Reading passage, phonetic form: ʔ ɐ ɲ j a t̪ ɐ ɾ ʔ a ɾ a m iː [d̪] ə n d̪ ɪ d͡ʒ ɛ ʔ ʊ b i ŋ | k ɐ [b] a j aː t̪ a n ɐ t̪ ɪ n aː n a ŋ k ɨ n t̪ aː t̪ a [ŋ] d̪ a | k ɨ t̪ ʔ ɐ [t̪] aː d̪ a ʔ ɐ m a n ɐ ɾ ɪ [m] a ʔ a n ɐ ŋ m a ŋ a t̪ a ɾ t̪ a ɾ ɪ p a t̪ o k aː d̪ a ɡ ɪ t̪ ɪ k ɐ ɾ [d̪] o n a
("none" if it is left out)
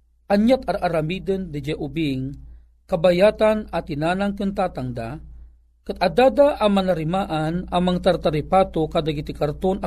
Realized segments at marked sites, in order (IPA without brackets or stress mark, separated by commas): d̪, b, ŋ, d̪, m, t̪